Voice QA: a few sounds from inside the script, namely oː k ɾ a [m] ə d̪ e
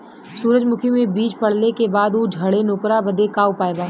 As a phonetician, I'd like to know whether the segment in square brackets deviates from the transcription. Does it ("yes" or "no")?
yes